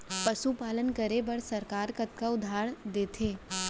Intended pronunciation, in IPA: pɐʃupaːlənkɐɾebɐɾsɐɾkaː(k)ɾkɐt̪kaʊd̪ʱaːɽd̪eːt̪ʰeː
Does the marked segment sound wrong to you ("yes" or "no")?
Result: yes